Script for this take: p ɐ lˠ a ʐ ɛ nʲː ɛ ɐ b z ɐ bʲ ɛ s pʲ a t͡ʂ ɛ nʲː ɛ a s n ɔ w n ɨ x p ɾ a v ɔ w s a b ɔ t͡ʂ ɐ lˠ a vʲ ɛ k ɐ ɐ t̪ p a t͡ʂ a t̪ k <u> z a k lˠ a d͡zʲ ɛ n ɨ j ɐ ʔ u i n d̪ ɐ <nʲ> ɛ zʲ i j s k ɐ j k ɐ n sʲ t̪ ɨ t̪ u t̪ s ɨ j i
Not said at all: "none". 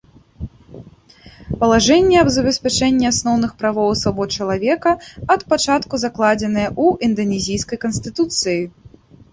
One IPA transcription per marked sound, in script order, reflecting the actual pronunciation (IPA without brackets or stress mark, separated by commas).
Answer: u, nʲ